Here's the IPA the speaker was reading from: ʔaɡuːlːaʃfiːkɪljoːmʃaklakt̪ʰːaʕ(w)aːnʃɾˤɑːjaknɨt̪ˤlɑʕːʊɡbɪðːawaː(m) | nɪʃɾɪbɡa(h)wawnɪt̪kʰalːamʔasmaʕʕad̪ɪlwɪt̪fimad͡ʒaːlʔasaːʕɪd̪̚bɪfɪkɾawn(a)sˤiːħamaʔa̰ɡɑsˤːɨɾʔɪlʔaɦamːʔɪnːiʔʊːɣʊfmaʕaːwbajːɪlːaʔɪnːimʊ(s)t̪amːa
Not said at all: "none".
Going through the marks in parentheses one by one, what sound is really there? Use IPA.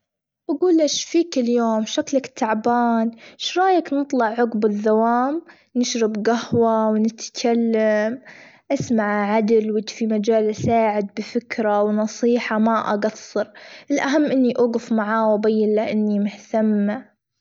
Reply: b, m, h, ɑ, h

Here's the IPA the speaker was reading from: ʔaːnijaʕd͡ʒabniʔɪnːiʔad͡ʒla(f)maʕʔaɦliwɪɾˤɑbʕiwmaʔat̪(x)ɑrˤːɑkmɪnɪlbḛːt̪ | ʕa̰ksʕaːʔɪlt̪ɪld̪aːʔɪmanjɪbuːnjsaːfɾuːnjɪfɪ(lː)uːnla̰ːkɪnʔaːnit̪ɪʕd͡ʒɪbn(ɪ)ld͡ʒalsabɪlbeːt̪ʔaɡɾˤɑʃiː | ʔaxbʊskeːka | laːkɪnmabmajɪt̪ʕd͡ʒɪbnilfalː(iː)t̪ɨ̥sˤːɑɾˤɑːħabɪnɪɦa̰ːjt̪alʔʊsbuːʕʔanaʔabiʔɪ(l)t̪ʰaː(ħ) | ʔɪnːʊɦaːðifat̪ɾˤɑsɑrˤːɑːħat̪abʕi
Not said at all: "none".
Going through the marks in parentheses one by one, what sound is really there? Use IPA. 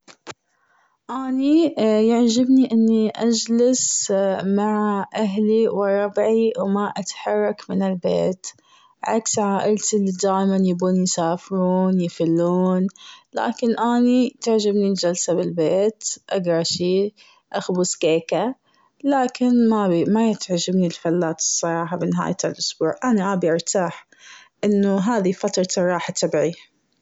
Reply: s, ħ, lː, i, aː, ɾ, ħ

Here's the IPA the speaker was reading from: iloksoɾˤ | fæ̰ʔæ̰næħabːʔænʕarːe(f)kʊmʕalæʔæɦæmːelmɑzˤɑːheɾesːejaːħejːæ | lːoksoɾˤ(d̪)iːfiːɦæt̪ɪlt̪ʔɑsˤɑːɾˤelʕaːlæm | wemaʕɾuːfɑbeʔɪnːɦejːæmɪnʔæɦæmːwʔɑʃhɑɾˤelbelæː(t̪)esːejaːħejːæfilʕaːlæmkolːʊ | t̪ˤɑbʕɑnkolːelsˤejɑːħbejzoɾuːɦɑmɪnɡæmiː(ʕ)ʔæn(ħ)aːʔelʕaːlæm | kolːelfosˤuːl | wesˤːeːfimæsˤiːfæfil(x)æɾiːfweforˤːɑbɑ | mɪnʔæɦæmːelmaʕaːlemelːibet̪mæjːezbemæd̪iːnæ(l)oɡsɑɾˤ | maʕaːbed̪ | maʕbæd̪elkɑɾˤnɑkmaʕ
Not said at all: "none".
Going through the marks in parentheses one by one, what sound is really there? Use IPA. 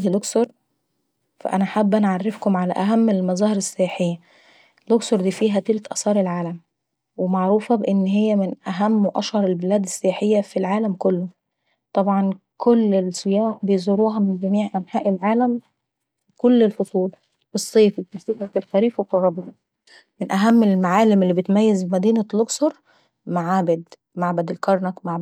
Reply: f, d̪, d̪, ʕ, ħ, x, l

